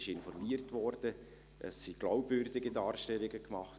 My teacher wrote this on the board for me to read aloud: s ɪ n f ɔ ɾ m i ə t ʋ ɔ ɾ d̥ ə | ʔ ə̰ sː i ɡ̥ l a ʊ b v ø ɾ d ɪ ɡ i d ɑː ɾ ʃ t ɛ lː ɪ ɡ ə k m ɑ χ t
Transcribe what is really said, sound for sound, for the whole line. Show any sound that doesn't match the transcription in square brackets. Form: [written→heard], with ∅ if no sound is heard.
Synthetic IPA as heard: [s→ʃ] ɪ n f ɔ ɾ m i ə t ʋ ɔ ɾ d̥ ə | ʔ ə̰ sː i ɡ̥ l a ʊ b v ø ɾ d ɪ ɡ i d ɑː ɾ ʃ t ɛ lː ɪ ɡ ə k m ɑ χ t